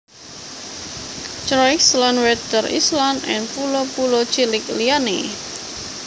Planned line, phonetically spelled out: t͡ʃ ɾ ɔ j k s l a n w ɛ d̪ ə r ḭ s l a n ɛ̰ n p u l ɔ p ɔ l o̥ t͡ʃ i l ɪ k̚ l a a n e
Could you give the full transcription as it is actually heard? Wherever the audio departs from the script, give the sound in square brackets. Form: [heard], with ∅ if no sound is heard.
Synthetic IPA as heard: t͡ʃ ɾ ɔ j k s l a n w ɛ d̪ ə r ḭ s l a n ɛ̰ n p u l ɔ p [u] l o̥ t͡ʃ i l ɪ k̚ l [i] a n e

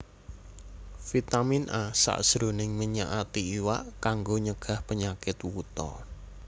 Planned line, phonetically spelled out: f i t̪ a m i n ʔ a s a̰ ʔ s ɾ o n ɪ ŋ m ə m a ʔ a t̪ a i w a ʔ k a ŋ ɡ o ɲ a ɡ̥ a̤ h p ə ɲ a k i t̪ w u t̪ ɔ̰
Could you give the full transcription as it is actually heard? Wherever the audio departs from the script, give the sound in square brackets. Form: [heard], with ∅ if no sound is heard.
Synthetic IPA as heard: f i t̪ a m i n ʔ a s a̰ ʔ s ɾ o n ɪ ŋ m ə [ɲ] a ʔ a t̪ [i] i w a ʔ k a ŋ ɡ o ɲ [ə] ɡ̥ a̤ h p ə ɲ a k [ɪ] t̪ w u t̪ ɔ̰

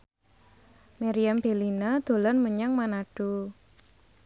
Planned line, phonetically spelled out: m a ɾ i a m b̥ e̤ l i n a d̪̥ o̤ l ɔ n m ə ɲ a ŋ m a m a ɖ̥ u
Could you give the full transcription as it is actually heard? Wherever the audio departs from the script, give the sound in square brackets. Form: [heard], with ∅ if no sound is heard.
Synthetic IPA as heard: m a ɾ i a m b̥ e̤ l i n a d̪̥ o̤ l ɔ n m ə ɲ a ŋ m a [n] a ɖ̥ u

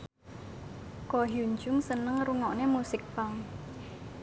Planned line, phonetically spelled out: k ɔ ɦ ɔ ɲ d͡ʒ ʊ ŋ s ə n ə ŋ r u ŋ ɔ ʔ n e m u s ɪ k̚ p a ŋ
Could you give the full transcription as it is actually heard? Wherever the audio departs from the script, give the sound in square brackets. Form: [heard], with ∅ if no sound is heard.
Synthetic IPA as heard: k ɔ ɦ [u] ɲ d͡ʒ ʊ ŋ s ə n ə ŋ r u ŋ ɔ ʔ n e m u s ɪ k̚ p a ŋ

